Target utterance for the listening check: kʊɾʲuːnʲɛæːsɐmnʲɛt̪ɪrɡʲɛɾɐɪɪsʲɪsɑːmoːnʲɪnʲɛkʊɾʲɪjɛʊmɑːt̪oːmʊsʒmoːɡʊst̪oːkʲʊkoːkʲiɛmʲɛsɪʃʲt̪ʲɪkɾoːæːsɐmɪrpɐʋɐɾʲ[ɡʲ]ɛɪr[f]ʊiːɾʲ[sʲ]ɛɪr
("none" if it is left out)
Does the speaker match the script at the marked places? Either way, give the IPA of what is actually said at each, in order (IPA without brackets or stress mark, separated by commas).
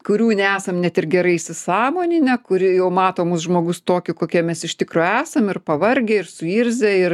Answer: ɡʲ, s, zʲ